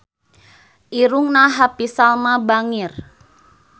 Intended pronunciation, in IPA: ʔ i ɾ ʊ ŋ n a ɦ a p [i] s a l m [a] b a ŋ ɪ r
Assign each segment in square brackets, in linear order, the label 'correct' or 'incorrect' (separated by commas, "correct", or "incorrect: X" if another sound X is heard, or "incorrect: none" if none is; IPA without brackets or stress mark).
correct, correct